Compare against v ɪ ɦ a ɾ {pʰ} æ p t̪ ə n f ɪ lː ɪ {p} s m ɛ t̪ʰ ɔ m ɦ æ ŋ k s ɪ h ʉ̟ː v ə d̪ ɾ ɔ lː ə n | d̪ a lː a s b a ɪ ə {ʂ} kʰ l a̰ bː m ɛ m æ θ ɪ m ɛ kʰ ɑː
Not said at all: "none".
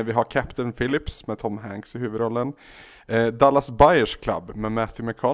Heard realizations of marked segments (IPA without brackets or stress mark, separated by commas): kʰ, p, ʂ